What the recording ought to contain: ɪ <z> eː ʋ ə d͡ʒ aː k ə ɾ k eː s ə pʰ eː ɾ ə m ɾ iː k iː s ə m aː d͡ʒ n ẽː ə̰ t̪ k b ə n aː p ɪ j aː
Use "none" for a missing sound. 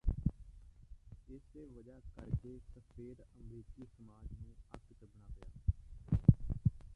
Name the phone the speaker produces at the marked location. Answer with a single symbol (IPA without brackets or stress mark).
s